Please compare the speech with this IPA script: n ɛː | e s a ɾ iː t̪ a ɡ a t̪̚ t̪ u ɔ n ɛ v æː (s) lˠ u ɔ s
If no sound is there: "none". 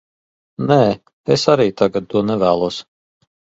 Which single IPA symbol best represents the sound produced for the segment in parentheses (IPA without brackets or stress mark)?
none